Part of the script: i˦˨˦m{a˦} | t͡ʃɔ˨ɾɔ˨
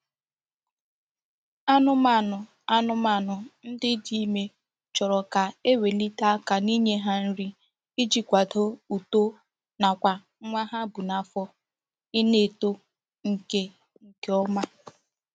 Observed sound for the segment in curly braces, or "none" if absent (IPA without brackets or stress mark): e˦